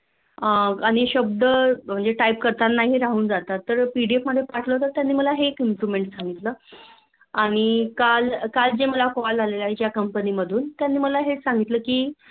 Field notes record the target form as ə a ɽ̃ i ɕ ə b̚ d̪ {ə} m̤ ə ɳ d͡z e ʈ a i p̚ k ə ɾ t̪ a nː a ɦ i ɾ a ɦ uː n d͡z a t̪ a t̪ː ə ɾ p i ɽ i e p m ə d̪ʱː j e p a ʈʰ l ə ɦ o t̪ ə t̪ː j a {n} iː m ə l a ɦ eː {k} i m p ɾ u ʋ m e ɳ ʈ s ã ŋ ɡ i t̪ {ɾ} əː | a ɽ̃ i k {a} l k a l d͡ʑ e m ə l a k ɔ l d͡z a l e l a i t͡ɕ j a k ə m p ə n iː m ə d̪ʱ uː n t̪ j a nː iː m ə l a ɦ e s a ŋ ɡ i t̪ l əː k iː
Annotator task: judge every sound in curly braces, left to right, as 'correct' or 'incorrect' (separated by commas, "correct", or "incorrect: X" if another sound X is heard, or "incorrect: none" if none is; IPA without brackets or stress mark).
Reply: correct, incorrect: nː, correct, incorrect: l, correct